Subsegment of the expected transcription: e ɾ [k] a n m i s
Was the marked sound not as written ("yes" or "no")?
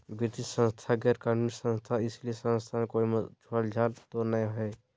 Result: no